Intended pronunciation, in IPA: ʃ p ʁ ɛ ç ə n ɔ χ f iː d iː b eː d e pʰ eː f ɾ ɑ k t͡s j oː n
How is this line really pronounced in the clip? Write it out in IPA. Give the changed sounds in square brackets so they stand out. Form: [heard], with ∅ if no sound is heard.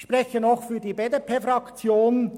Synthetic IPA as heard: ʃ p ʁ ɛ ç ə n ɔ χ f [yː] d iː b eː d e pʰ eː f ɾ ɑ k t͡s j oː n